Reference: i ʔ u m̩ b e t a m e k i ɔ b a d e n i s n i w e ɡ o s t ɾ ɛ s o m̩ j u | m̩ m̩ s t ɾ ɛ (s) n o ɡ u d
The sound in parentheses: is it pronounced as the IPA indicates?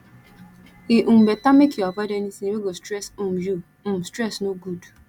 yes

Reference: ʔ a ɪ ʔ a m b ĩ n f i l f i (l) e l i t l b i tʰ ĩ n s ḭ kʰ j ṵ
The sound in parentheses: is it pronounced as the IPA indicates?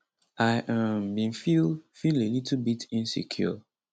yes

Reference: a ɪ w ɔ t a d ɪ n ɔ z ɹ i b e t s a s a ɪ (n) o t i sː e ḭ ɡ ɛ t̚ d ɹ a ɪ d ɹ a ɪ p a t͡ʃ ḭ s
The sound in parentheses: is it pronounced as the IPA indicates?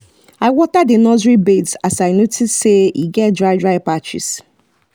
yes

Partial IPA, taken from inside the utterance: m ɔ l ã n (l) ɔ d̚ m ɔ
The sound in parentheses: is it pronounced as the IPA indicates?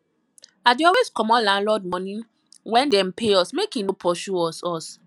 yes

